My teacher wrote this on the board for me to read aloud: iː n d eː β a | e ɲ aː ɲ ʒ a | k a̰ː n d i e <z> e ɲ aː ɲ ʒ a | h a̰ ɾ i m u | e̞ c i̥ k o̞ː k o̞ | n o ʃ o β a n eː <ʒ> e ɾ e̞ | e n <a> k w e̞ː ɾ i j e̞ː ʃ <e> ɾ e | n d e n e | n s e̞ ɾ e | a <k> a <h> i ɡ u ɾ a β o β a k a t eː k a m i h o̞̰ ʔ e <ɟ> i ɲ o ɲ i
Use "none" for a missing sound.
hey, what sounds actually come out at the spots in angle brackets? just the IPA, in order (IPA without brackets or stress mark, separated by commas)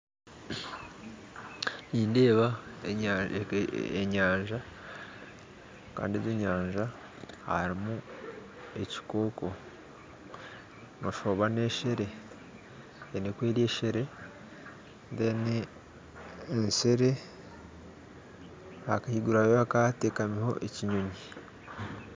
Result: z, ʃ, e, e, k, h, c